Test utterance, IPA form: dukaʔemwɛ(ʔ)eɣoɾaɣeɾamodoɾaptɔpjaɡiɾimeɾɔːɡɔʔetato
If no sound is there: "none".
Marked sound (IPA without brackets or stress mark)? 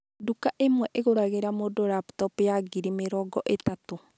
ʔ